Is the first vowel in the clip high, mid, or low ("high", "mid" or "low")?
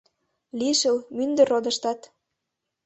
high